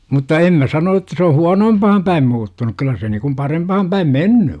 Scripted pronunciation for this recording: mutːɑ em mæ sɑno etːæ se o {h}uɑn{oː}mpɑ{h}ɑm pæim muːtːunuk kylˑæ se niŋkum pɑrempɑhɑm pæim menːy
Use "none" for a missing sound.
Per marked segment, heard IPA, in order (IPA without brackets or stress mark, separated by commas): h, oː, h